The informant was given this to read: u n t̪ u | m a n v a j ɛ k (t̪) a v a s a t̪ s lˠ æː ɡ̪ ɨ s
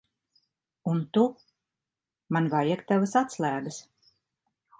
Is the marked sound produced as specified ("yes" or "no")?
yes